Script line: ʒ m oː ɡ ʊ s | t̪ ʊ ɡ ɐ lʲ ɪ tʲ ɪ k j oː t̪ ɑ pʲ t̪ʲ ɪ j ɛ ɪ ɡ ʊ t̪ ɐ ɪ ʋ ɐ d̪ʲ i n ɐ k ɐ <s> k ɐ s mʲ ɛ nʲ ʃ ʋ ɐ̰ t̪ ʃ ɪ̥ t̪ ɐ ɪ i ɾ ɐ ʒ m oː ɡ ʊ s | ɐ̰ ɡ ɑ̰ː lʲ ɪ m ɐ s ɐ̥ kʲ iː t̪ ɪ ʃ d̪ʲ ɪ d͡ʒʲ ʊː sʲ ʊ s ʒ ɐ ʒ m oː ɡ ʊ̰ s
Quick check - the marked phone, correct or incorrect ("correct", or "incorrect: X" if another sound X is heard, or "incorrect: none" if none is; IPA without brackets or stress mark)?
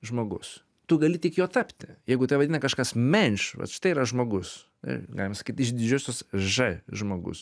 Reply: incorrect: ʃ